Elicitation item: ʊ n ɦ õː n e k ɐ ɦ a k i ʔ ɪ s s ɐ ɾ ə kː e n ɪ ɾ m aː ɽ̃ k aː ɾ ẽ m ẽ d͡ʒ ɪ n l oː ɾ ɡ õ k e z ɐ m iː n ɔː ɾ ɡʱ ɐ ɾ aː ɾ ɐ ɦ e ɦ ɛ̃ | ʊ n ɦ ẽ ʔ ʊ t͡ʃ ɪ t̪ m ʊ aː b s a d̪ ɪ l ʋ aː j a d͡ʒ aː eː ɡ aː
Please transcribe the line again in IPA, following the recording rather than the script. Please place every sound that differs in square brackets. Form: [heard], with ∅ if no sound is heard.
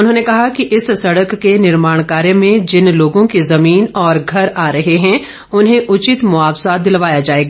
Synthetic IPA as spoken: ʊ n ɦ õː n e k ɐ ɦ a k i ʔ ɪ s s ɐ [ɽ] ə kː e n ɪ ɾ m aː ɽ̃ k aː ɾ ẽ m ẽ d͡ʒ ɪ n l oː [∅] ɡ õ k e z ɐ m iː n ɔː ɾ ɡʱ ɐ ɾ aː ɾ ɐ ɦ e ɦ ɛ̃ | ʊ n ɦ ẽ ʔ ʊ t͡ʃ ɪ t̪ m ʊ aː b s a d̪ ɪ l ʋ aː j a d͡ʒ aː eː ɡ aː